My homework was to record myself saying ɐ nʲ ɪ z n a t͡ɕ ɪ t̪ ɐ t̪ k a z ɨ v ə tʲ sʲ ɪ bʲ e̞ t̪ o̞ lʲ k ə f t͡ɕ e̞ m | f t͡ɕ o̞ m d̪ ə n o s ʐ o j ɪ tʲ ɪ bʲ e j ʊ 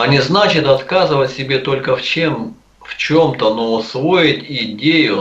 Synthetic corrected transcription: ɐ nʲ ɪ z n a t͡ɕ ɪ t̪ ɐ t̪ k a z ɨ v ə tʲ sʲ ɪ bʲ e̞ t̪ o̞ lʲ k ə f t͡ɕ e̞ m | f t͡ɕ o̞ m t̪ ə n o s v o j ɪ tʲ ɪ dʲ e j ʊ